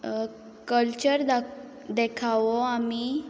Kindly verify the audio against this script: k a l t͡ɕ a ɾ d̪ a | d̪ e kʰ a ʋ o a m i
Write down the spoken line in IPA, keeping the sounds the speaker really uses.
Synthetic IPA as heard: k ə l t͡ɕ ə ɾ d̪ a | d̪ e kʰ a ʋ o a m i